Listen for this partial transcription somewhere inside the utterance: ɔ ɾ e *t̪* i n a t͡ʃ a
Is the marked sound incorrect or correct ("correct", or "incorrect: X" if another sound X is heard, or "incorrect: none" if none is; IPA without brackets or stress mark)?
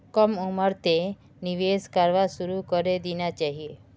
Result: incorrect: d̪